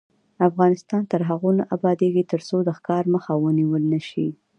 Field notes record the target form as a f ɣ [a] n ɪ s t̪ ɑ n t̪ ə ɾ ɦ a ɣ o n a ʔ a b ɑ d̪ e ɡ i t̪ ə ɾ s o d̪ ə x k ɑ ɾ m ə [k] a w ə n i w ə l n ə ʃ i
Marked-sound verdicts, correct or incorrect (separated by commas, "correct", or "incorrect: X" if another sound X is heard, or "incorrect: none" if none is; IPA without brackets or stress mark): incorrect: ɑ, incorrect: x